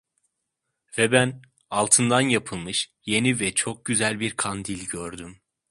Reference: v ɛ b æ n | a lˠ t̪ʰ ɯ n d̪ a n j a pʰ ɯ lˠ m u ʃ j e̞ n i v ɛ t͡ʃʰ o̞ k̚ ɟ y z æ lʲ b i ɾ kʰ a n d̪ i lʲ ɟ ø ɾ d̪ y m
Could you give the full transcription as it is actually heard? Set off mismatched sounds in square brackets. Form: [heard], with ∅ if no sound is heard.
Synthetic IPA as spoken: v ɛ b æ n | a lˠ t̪ʰ ɯ n d̪ a n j a pʰ ɯ lˠ m [ɯ] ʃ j e̞ n i v ɛ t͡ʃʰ o̞ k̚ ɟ y z æ lʲ b i ɾ kʰ a n d̪ i lʲ ɟ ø ɾ d̪ y m

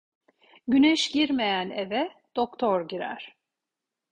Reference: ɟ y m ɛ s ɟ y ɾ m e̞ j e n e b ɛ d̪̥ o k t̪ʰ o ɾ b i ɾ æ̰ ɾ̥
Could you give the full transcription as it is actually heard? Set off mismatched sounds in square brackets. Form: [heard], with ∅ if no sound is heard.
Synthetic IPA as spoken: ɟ y [n] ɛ [ʃ] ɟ [i] ɾ m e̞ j [æ] n e [v] ɛ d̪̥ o k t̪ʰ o ɾ [ɟ] i ɾ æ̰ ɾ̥

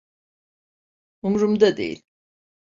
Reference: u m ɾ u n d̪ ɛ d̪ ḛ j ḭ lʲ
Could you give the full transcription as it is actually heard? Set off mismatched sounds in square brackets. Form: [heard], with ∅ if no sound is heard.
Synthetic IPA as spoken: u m ɾ u [m] d̪ [a] d̪ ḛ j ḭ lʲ

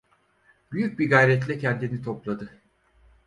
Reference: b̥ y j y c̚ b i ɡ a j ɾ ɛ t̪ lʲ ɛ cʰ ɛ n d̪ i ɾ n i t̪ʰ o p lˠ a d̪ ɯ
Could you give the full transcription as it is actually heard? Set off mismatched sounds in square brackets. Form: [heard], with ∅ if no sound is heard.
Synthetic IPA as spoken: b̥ y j y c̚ b i ɡ a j ɾ ɛ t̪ lʲ ɛ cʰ ɛ n d̪ i [∅] n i t̪ʰ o p lˠ a d̪ ɯ

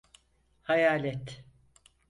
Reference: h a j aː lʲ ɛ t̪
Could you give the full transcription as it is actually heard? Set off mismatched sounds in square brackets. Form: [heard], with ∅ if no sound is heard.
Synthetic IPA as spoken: h a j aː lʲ ɛ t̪

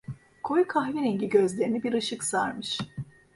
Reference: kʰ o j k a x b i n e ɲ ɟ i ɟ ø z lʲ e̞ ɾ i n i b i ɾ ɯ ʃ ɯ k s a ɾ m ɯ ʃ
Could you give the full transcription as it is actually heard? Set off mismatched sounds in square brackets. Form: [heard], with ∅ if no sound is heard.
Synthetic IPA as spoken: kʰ o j [kʰ] a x [v] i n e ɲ ɟ i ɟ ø z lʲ e̞ ɾ i n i b i ɾ ɯ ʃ ɯ k s a ɾ m ɯ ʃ

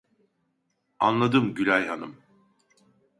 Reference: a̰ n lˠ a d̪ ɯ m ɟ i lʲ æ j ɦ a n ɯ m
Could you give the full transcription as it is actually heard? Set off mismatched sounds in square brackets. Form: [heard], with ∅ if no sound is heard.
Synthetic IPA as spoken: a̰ n lˠ a d̪ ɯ m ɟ [y] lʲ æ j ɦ a n ɯ m

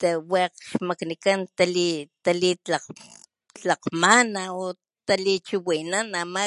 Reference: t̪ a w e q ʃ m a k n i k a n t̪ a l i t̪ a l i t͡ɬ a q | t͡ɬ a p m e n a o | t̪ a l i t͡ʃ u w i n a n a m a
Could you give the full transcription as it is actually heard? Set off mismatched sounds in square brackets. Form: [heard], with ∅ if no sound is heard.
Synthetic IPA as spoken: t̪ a w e q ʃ m a k n i k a n t̪ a l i t̪ a l i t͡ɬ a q | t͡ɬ a [q] m [a] n a o | t̪ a l i t͡ʃ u w i n a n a m a

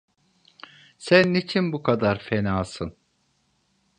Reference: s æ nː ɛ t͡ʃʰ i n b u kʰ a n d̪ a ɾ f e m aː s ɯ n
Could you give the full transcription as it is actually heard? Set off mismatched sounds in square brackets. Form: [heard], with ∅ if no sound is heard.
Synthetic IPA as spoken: s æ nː [i] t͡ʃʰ i n b u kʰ a [∅] d̪ a ɾ f e [n] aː s ɯ n

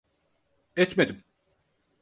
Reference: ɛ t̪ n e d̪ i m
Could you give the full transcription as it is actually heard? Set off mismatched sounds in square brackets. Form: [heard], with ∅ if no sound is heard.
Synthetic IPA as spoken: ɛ t̪ [m] e d̪ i m

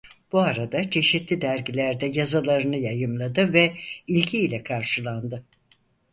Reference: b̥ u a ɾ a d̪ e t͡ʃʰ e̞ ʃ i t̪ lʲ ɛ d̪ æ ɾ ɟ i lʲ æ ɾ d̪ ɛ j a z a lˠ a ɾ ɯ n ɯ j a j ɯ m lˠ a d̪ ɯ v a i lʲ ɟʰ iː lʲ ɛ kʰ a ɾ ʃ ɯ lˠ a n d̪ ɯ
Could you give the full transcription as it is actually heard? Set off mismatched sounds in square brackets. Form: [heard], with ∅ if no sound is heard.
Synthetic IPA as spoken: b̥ u a ɾ a d̪ [a] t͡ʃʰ e̞ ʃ i t̪ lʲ [i] d̪ æ ɾ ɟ i lʲ æ ɾ d̪ ɛ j a z a lˠ a ɾ ɯ n ɯ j a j ɯ m lˠ a d̪ ɯ v [ɛ] i lʲ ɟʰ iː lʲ ɛ kʰ a ɾ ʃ ɯ lˠ a n d̪ ɯ

